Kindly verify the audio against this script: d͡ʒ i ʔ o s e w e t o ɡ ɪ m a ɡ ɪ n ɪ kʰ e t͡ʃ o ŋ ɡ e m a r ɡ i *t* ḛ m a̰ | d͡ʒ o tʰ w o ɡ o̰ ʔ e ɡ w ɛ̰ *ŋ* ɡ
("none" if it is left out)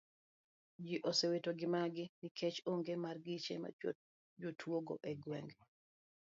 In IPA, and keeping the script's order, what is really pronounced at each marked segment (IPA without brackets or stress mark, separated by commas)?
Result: t͡ʃ, ŋ